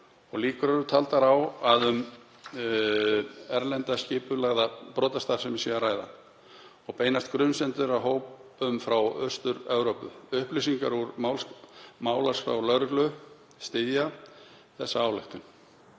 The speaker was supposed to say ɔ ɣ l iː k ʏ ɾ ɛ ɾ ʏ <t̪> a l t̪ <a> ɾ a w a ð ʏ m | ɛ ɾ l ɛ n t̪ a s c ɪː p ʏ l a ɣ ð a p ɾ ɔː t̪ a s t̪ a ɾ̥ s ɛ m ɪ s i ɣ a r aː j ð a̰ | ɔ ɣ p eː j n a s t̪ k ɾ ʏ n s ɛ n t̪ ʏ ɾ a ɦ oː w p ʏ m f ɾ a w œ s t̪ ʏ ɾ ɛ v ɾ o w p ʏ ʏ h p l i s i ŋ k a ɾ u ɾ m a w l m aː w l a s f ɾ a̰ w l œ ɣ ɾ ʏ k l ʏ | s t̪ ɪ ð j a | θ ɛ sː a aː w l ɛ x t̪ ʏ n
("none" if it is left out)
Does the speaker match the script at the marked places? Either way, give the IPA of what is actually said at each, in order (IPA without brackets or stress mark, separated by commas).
t̪ʰ, a